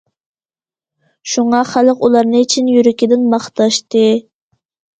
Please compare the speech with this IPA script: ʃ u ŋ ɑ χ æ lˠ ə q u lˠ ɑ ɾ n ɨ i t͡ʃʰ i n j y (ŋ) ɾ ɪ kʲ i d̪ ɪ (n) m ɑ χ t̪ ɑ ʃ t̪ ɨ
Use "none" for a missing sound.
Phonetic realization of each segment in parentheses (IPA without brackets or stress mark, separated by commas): none, n